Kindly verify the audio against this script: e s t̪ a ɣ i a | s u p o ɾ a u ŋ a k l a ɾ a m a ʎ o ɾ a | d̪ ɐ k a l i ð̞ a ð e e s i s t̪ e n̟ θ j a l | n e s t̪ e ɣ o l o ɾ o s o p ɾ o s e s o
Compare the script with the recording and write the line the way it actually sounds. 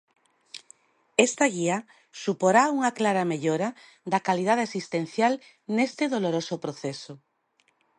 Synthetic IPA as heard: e s t̪ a ɣ i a | s u p o ɾ a u ŋ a k l a ɾ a m e ʎ o ɾ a | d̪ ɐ k a l i ð̞ a ð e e s i s t̪ e n̟ θ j a l | n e s t̪ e ð o l o ɾ o s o p ɾ o θ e s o